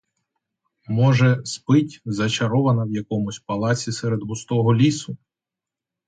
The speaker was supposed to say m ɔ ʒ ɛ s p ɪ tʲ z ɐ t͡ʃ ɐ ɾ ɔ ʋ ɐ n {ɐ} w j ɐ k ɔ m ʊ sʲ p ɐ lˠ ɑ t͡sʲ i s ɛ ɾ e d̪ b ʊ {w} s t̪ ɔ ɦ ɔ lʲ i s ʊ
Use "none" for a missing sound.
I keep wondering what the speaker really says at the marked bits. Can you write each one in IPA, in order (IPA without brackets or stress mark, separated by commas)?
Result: ɐ, none